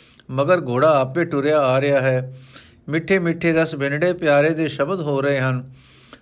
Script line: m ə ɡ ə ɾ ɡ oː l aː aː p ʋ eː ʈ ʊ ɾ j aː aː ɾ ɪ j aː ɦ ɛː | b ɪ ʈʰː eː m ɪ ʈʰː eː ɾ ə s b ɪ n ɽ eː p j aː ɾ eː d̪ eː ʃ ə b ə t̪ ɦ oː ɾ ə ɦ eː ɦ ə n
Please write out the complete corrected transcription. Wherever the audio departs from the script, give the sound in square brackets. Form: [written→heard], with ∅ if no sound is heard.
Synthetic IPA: m ə ɡ ə ɾ ɡ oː [l→ɽ] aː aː p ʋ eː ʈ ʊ ɾ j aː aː ɾ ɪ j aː ɦ ɛː | [b→m] ɪ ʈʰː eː m ɪ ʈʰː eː ɾ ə s b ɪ n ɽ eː p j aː ɾ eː d̪ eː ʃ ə b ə [t̪→d̪] ɦ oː ɾ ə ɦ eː ɦ ə n